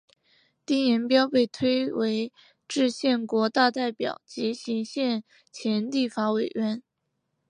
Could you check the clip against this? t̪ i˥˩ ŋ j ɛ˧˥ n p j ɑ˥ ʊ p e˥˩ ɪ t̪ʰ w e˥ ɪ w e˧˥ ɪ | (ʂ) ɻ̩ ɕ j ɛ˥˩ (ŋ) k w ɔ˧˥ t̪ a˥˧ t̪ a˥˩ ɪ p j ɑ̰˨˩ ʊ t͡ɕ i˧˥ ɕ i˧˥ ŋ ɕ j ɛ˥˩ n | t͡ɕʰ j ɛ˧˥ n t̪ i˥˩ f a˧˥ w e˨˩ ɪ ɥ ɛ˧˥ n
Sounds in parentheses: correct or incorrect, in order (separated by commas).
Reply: incorrect, incorrect